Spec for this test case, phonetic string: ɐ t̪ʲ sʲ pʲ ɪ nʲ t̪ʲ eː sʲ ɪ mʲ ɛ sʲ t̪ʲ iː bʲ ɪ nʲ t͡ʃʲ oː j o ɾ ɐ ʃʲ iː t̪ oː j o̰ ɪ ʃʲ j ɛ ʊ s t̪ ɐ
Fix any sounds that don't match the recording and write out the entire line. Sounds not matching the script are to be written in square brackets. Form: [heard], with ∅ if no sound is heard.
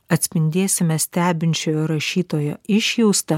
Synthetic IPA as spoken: ɐ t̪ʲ sʲ pʲ ɪ nʲ [d̪ʲ] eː sʲ ɪ mʲ ɛ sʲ t̪ʲ [æː] bʲ ɪ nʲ t͡ʃʲ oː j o ɾ ɐ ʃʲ iː t̪ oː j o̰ ɪ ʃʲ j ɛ ʊ s t̪ ɐ